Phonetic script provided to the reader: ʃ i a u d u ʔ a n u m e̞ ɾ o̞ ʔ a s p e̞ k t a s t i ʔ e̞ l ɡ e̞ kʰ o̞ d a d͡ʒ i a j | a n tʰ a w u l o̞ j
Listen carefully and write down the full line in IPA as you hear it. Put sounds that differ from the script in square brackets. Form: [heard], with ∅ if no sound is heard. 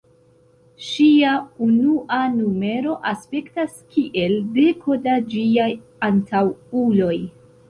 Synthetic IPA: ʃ i a u [n] u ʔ a n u m e̞ ɾ o̞ ʔ a s p e̞ k t a s [k] i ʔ e̞ l [d] e̞ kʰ o̞ d a d͡ʒ i a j | a n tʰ a w u l o̞ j